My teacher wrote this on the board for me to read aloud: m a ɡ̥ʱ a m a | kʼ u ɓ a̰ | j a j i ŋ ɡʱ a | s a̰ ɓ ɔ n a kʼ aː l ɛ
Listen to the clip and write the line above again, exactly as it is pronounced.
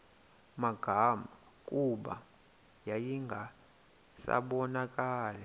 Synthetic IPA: m a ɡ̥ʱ a m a | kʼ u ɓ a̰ | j a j i ŋ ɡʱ a | s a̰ ɓ ɔ n a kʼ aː l ɛ